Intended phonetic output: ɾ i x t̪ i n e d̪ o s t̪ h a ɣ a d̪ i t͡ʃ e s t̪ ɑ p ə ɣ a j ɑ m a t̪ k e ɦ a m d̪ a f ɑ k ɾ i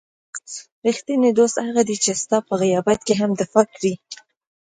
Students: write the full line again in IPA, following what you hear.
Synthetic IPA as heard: ɾ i x t̪ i n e d̪ o s t̪ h a ɣ a d̪ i t͡ʃ e s t̪ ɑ p ə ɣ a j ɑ b a t̪ k e ɦ a m d̪ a f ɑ k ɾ i